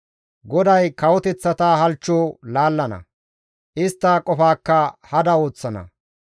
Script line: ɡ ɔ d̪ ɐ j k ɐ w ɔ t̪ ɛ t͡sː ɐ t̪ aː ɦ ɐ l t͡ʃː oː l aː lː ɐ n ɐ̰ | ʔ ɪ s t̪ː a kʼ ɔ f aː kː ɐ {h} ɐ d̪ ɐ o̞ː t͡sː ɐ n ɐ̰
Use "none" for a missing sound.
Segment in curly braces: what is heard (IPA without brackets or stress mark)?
h